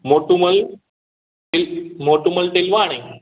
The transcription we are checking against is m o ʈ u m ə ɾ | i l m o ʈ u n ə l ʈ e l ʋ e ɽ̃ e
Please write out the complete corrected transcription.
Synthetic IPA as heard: m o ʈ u m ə l | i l m o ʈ u m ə l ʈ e l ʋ a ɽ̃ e